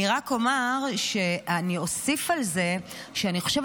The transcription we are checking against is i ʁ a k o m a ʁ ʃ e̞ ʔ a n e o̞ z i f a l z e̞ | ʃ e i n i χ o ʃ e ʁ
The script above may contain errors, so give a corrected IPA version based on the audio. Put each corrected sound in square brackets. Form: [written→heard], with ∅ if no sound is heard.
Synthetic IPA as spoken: i ʁ a k o m a ʁ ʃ e̞ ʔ a n [e→i] o̞ [z→s] i f a l z e̞ | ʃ e [i→a] n i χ o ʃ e [ʁ→v]